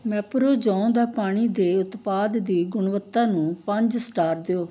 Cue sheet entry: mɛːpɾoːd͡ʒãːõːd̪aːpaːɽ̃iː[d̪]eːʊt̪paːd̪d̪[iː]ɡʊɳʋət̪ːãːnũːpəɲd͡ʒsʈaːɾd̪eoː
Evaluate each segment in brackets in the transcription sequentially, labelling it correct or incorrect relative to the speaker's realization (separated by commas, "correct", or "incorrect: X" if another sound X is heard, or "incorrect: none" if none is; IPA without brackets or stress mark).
correct, correct